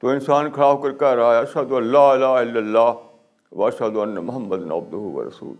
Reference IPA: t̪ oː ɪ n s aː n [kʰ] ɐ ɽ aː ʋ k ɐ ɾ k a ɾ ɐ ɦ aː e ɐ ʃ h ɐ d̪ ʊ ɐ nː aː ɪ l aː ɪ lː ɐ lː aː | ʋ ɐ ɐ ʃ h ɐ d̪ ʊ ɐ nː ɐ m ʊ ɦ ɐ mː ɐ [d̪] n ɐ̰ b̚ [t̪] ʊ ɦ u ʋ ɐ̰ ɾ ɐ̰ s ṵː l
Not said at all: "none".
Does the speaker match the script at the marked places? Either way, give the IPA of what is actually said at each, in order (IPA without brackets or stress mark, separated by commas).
kʰ, d̪, d̪